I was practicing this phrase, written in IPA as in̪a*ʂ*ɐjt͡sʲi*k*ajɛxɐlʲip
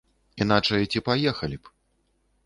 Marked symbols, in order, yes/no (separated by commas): no, no